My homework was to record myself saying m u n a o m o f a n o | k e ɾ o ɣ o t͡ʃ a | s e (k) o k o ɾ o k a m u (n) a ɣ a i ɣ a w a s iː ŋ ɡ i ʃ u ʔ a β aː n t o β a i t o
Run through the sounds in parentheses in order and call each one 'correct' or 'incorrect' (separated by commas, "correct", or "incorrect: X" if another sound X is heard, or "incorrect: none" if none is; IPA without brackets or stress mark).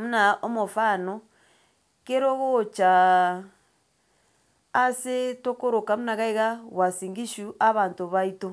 incorrect: t, correct